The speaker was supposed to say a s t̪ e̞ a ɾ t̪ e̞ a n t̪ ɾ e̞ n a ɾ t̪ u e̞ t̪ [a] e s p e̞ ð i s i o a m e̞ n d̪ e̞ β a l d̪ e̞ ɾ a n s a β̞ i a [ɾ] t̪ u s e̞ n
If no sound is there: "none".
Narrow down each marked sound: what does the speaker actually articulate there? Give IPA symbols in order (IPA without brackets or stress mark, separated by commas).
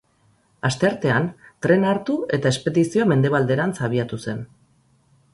a, none